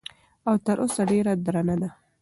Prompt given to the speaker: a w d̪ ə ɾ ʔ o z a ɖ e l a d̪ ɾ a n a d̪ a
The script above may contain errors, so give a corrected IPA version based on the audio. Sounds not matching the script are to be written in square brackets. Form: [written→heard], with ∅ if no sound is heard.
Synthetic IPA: a w [d̪→t̪] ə ɾ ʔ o [z→s] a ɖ e [l→ɾ] a d̪ ɾ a n a d̪ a